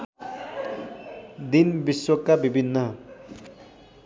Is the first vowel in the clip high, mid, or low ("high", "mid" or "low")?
high